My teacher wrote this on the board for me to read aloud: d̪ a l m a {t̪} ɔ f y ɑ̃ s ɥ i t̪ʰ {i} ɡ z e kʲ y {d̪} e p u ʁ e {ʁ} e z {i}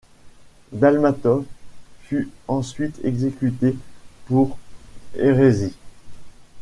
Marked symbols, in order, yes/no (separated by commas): yes, no, no, yes, yes